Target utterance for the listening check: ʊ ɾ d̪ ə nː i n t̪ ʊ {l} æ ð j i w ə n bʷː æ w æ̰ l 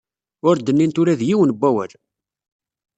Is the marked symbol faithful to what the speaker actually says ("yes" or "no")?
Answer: no